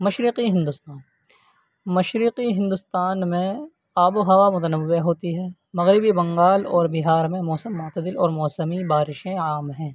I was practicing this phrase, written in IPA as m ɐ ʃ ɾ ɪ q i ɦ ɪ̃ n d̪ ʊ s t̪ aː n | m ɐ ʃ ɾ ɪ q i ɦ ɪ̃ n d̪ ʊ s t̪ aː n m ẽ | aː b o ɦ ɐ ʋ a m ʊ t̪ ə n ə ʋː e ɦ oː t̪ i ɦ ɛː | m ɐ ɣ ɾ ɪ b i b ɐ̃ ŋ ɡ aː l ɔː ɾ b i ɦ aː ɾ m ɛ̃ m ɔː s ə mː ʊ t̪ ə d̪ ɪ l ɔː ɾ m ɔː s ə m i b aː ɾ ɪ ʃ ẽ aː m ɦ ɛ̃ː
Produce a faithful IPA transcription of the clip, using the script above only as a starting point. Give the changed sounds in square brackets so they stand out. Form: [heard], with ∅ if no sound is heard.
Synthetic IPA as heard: m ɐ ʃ ɾ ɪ q i ɦ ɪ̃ n d̪ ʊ s t̪ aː n | m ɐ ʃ ɾ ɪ q i ɦ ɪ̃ n d̪ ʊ s t̪ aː n m ẽ | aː b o ɦ ɐ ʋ a m ʊ t̪ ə n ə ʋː e ɦ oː t̪ i ɦ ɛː | m ɐ ɣ ɾ ɪ b i b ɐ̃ ŋ ɡ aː l ɔː ɾ b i ɦ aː ɾ m [ẽ] m ɔː s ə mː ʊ t̪ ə d̪ ɪ l ɔː ɾ m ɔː s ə m i b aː ɾ ɪ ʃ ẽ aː m ɦ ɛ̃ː